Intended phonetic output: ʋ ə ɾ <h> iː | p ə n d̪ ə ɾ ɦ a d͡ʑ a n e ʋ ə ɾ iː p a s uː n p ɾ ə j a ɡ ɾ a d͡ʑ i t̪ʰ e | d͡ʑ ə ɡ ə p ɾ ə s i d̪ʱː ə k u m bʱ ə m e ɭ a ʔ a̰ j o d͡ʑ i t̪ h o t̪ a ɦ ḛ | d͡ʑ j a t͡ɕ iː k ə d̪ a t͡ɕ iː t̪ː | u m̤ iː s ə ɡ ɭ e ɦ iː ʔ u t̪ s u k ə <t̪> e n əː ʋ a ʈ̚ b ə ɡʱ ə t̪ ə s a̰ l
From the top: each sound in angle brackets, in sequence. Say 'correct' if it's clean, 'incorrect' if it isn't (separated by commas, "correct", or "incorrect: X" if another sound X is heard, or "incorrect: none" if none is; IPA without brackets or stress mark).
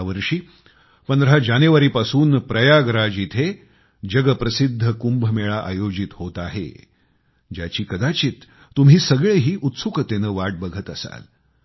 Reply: incorrect: ʂ, correct